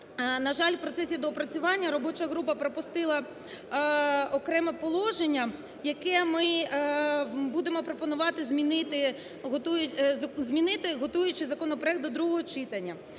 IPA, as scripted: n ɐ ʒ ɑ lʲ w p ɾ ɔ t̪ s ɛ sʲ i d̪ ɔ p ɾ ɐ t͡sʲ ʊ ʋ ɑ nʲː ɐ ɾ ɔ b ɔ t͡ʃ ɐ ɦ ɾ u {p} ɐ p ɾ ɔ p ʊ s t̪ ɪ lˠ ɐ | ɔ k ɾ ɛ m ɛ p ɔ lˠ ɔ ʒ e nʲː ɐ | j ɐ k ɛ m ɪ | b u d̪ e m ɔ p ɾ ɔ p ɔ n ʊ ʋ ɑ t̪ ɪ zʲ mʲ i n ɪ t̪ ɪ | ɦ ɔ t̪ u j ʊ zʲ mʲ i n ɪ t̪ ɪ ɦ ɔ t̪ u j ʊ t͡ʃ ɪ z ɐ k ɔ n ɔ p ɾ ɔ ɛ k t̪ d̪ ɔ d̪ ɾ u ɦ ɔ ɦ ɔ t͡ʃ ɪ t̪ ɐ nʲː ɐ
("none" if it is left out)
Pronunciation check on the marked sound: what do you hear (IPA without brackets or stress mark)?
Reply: p